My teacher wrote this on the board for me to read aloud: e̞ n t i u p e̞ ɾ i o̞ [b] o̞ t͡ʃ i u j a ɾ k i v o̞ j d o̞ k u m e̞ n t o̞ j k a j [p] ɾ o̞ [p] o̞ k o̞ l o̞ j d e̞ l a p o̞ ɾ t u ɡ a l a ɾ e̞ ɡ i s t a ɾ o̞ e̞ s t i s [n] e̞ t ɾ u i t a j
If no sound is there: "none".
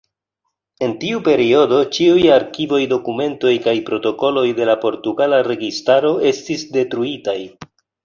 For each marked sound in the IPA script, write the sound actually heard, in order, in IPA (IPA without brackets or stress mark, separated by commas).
d, p, t, d